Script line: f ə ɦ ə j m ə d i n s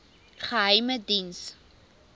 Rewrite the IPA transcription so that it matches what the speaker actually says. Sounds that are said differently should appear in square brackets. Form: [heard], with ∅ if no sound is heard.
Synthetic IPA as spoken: [χ] ə ɦ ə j m ə d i n s